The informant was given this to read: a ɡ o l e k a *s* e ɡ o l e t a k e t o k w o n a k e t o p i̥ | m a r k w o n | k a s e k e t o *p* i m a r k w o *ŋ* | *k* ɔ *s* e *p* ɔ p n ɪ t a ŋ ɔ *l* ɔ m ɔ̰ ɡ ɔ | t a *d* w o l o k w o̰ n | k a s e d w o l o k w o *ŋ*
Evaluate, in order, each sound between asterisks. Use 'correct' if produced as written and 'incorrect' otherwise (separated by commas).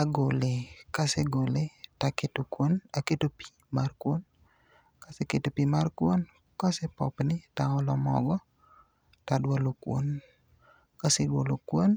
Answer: correct, correct, incorrect, correct, correct, correct, correct, correct, incorrect